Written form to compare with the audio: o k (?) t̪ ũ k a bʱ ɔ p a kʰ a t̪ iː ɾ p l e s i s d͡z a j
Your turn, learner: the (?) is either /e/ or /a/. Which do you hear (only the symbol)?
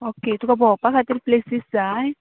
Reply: e